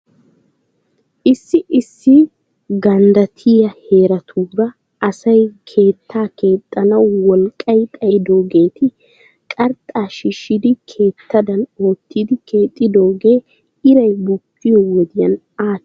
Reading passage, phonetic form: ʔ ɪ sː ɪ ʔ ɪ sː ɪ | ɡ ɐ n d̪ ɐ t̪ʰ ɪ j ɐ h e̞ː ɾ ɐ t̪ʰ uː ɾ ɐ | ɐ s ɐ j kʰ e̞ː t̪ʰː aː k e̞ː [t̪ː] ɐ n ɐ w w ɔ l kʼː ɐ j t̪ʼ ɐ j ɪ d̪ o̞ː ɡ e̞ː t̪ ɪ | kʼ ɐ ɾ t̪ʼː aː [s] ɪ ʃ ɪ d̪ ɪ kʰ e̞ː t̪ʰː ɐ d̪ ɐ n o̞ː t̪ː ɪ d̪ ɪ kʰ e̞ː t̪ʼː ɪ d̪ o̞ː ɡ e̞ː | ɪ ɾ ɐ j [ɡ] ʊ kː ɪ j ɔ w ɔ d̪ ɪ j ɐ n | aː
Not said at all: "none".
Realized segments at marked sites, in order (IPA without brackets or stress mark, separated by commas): t̪ʼː, ʃ, b